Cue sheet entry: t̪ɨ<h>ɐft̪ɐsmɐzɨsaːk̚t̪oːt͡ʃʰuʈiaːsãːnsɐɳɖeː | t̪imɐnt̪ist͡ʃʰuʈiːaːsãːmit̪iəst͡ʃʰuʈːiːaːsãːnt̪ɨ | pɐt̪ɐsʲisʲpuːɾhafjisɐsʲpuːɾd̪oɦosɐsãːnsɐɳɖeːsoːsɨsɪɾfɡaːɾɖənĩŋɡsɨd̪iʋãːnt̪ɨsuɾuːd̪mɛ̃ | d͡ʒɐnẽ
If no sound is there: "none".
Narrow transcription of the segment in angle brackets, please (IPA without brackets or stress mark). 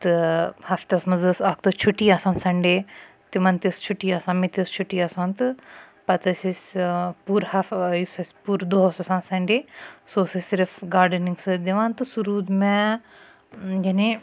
h